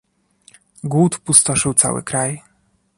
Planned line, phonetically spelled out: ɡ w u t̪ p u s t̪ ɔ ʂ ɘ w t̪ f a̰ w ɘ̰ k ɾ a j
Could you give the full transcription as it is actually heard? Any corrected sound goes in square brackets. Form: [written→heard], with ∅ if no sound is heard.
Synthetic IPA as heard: ɡ w u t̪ p u s t̪ ɔ ʂ ɘ w t̪ [f→s] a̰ w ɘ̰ k ɾ a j